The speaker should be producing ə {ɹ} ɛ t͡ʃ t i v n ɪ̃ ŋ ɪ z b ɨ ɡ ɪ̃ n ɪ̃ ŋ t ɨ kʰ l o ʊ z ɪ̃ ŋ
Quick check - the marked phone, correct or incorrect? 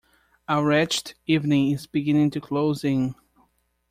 correct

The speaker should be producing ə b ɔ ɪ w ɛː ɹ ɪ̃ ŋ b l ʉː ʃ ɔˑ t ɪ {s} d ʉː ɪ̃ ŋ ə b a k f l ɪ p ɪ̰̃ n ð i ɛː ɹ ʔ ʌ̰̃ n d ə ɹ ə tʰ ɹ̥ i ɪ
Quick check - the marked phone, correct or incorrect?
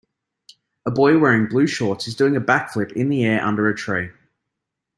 incorrect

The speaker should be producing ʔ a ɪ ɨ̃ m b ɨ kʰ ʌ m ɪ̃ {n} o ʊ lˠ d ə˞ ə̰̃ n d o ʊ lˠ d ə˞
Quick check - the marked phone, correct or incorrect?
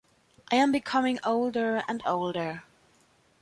incorrect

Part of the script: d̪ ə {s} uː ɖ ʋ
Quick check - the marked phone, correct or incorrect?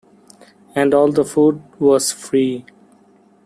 incorrect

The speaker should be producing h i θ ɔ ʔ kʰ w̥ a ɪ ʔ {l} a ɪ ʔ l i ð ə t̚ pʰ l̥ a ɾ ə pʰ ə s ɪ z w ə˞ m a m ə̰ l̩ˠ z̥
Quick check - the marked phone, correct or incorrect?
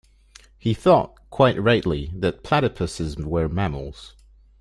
incorrect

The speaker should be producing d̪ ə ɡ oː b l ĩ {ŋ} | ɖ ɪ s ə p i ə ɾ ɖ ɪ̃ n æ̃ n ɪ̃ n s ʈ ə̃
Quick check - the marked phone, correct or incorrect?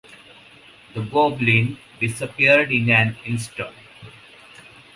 incorrect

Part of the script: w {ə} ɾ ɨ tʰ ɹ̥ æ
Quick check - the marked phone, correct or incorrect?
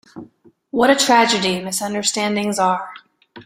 incorrect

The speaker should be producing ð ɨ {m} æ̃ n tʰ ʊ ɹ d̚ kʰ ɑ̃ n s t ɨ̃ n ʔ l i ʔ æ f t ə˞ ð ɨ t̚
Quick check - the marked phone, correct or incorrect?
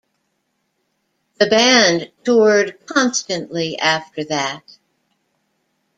incorrect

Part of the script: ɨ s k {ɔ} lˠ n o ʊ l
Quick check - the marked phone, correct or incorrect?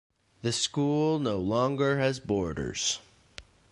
incorrect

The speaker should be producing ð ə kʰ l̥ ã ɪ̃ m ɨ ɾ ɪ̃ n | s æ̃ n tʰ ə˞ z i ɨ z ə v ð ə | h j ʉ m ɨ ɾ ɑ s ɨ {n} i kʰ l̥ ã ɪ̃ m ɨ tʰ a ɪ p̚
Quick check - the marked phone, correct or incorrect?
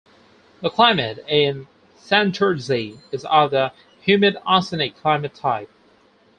correct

